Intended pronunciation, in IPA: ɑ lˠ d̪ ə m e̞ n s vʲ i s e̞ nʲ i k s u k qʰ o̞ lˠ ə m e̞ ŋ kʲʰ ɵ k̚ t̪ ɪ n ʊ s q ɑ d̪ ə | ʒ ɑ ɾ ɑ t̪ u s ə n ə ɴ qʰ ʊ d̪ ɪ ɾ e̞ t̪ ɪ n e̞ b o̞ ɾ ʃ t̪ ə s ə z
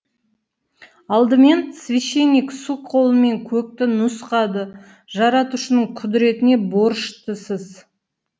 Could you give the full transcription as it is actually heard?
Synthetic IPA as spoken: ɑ lˠ d̪ ə m e̞ n s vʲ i ʃ e̞ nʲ i k s u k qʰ o̞ lˠ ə m e̞ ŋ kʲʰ ɵ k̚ t̪ ɪ n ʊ s q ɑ d̪ ə | ʒ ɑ ɾ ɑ t̪ u ʃ ə n ə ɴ qʰ ʊ d̪ ɪ ɾ e̞ t̪ ɪ n e̞ b o̞ ɾ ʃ t̪ ə s ə z

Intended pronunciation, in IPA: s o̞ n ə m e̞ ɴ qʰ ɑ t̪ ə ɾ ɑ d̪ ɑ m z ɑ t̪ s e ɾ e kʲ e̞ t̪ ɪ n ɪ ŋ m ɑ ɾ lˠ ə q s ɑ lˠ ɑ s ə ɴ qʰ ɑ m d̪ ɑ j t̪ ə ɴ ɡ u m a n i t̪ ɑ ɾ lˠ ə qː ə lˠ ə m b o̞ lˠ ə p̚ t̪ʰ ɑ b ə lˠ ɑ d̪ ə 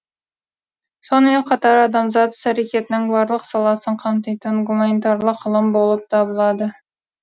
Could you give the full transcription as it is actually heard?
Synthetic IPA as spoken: s o̞ n ə m e̞ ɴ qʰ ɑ t̪ ɑ ɾ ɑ d̪ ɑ m z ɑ t̪ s æ ɾ e kʲ e̞ t̪ ɪ n ɪ ŋ b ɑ ɾ lˠ ə q s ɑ lˠ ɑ s ə ɴ qʰ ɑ m t̪ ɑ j t̪ ə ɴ ɡ u m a n i t̪ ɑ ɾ lˠ ə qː ə lˠ ə m b o̞ lˠ ə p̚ t̪ʰ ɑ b ə lˠ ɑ d̪ ə

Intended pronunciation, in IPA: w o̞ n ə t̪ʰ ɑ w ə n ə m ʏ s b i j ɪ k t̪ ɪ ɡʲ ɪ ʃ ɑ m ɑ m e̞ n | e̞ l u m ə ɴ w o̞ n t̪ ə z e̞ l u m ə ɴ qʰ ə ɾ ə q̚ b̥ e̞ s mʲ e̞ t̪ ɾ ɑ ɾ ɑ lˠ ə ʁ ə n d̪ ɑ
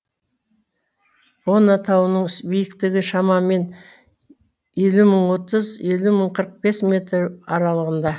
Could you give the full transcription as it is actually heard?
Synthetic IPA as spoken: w o̞ n ɑ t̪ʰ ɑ w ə n ə ɴ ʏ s b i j ɪ k t̪ ɪ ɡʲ ɪ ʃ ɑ m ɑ m e̞ n | e̞ l u m ə ɴ w o̞ t̪ ə z e̞ l u m ə ɴ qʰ ə ɾ ə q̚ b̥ e̞ s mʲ e̞ t̪ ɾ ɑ ɾ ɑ lˠ ə ʁ ə n d̪ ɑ

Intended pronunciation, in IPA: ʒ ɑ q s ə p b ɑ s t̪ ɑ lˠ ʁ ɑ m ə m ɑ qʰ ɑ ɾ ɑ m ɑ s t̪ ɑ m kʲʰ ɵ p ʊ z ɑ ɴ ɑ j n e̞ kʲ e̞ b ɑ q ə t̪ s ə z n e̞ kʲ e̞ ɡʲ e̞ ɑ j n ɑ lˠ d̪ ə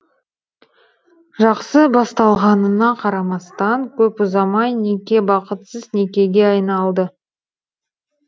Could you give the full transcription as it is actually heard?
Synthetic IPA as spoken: ʒ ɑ q s ə b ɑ s t̪ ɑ lˠ ʁ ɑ n ə n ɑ qʰ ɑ ɾ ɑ m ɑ s t̪ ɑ ŋ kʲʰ ɵ p ʊ z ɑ m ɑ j n e̞ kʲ e̞ b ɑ q ə t̪ s ə z n e̞ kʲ e̞ ɡʲ e̞ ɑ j n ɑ lˠ d̪ ə

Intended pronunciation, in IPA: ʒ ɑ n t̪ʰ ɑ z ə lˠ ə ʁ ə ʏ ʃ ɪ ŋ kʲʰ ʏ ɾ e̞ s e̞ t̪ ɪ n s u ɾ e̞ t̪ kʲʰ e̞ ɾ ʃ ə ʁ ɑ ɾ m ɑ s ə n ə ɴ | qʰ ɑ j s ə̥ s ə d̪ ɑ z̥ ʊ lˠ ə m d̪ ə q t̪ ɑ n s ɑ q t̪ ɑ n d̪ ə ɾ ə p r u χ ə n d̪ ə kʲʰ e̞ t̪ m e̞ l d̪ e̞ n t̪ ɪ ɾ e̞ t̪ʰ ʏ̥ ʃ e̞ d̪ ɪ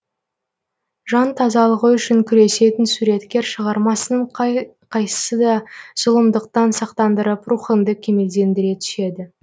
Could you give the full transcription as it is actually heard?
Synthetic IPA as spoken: ʒ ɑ n t̪ʰ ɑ z ɑ lˠ ə ʁ ə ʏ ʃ ɪ ŋ kʲʰ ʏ ɾ e̞ s e̞ t̪ ɪ n s u ɾ e̞ t̪ kʲ e̞ ɾ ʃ ə ʁ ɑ ɾ m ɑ s ə n ə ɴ | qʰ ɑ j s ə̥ s ə d̪ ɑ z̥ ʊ lˠ ə m d̪ ə q t̪ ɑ n s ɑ q t̪ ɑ n d̪ ə ɾ ə p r u χ ə n d̪ ə kʲʰ e̞ m e̞ l d̪ e̞ n d̪ ɪ ɾ e̞ t̪ʰ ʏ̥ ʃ e̞ d̪ ɪ

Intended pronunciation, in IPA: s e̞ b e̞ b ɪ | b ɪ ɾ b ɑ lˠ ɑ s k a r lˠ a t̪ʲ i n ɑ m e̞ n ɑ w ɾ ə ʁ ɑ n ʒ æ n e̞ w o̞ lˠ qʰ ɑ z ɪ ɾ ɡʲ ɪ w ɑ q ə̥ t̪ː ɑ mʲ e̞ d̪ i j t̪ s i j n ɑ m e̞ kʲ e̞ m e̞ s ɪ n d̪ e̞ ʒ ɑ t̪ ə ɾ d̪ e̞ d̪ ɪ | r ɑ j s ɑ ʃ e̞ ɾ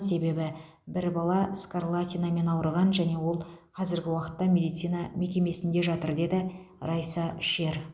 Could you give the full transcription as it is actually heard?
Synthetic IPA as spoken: s e̞ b e̞ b ɪ | b ɪ ɾ b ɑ lˠ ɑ s k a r lˠ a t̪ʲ i n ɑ m e̞ n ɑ w ɾ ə ʁ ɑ n ʒ æ n e̞ w o̞ lˠ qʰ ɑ z ɪ ɾ ɡʲ ɪ w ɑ q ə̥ t̪ː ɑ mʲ e̞ d̪ i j t̪ s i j n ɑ m e̞ kʲ e̞ m e̞ s ɪ n d̪ e̞ ʒ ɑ t̪ ə ɾ d̪ e̞ d̪ ɪ | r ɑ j s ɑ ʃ e̞ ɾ

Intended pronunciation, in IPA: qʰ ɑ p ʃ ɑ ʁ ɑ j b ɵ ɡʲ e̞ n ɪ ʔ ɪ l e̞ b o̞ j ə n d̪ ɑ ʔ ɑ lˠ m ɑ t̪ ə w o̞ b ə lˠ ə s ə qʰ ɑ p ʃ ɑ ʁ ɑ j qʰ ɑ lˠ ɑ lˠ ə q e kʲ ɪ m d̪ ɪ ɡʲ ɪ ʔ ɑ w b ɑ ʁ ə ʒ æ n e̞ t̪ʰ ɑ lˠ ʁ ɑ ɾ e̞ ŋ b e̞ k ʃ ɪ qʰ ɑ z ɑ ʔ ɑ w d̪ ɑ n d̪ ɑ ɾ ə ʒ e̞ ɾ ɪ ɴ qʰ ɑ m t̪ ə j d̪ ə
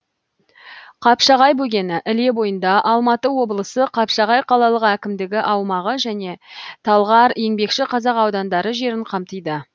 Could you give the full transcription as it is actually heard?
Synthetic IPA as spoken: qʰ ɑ p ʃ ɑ ʁ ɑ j b ɵ ɡʲ e̞ n ɪ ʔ ɪ l e̞ b o̞ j ə n d̪ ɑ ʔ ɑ lˠ m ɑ t̪ ə w o̞ b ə lˠ ə s ə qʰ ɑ p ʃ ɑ ʁ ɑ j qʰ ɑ lˠ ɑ lˠ ə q æ kʲ ɪ m d̪ ɪ ɡʲ ɪ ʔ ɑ w m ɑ ʁ ə ʒ æ n e̞ t̪ʰ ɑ lˠ ʁ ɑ ɾ e̞ ŋ b e̞ k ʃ ɪ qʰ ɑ z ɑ q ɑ w d̪ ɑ n d̪ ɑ ɾ ə ʒ e̞ ɾ ɪ ɴ qʰ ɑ m t̪ ə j d̪ ə

